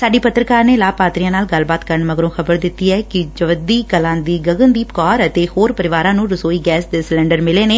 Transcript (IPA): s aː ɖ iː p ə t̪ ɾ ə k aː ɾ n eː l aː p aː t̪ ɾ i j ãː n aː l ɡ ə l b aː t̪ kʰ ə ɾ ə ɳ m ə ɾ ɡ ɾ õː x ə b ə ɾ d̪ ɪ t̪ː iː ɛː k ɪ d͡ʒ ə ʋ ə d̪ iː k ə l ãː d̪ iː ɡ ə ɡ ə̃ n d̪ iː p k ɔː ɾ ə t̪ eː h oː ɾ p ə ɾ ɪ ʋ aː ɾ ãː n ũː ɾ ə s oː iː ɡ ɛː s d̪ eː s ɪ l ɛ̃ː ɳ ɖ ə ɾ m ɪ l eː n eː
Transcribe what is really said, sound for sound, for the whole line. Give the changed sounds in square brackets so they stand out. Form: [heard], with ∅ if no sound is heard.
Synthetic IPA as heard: s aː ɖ iː p ə t̪ ɾ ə k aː ɾ n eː l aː p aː t̪ ɾ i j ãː n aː l ɡ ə l b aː t̪ [k] ə ɾ ə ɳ m ə [∅] ɡ ɾ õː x ə b ə ɾ d̪ ɪ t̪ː iː ɛː k ɪ d͡ʒ ə ʋ ə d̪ iː k ə l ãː d̪ iː ɡ ə ɡ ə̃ n d̪ iː p k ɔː ɾ ə t̪ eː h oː ɾ p ə ɾ ɪ ʋ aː ɾ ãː n ũː ɾ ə s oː iː ɡ ɛː s d̪ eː s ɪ l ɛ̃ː ɳ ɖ ə ɾ m ɪ l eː n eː